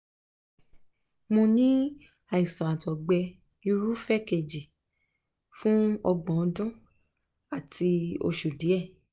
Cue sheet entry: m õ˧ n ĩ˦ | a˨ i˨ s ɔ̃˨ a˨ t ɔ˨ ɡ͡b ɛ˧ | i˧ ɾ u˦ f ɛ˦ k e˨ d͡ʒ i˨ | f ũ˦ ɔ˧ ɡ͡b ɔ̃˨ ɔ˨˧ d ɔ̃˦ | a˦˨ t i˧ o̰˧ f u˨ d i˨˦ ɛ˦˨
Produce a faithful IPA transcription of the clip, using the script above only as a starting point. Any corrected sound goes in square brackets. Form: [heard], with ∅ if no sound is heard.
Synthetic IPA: m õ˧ n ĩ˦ | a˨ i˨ s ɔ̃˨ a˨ t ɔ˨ ɡ͡b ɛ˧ | i˧ ɾ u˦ f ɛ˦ k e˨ d͡ʒ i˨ | f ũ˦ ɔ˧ ɡ͡b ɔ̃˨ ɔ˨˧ d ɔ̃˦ | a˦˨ t i˧ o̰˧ [ʃ] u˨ d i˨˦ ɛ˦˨